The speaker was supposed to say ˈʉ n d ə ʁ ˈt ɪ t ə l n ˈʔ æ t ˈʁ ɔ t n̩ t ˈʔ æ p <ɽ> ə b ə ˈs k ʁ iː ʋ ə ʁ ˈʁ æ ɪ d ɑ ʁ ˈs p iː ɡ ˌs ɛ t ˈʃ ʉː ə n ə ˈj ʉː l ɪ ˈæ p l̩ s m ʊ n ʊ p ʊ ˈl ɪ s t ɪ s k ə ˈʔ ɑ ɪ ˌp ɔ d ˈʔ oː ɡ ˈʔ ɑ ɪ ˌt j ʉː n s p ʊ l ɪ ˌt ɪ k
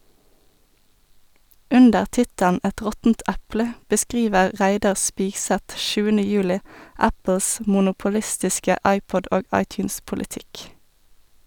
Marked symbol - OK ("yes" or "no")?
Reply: no